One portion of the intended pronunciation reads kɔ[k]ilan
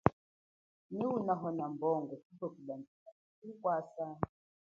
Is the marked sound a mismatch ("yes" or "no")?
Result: no